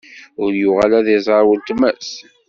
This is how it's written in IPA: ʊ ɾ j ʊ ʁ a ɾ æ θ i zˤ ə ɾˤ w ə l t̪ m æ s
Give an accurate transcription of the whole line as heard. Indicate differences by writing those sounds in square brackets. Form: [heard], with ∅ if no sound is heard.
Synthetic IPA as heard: ʊ ɾ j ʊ ʁ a [l] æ [ð] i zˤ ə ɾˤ w ə l t̪ m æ s